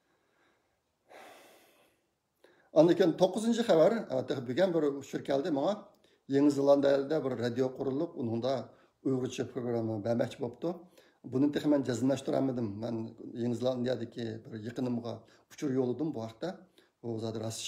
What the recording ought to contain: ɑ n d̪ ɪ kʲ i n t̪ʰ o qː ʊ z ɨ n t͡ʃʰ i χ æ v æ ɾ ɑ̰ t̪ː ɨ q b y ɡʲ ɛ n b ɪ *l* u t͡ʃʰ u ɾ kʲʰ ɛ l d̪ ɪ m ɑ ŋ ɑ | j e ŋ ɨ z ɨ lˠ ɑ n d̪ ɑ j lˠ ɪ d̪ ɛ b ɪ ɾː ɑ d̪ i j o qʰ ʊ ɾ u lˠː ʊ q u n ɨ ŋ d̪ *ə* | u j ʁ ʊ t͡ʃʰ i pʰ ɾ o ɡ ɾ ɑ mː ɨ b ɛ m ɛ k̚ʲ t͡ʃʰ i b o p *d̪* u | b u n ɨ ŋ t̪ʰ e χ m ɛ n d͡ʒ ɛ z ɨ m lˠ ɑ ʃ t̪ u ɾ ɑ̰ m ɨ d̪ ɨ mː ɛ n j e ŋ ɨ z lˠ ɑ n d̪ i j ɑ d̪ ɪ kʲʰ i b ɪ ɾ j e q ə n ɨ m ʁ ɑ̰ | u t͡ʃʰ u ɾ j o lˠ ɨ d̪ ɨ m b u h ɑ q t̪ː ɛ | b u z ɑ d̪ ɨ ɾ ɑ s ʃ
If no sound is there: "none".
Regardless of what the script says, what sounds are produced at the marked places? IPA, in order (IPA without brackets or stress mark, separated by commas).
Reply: ɾ, ɑ, t̪